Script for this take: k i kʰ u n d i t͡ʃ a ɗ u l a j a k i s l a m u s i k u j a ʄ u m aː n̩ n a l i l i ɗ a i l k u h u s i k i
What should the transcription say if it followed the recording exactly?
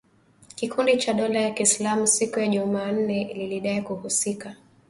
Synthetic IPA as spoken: k i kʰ u n d i t͡ʃ a ɗ ɔ l a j a k i s l a m u s i k u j a ʄ u m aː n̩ n ɛ l i l i ɗ a i k u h u s i k a